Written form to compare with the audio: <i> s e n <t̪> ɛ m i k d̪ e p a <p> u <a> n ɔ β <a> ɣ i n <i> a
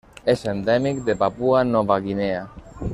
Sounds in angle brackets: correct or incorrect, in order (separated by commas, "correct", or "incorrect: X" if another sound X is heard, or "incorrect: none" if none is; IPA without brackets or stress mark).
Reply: incorrect: e, incorrect: d̪, correct, correct, correct, incorrect: e